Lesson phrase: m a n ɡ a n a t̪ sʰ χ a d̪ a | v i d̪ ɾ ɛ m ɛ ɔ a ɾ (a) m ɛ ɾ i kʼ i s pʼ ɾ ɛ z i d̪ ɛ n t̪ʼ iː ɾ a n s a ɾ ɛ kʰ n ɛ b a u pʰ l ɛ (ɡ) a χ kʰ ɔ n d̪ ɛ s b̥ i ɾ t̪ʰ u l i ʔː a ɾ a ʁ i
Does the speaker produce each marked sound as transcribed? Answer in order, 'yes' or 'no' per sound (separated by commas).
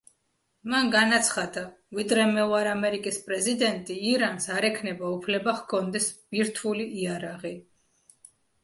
yes, no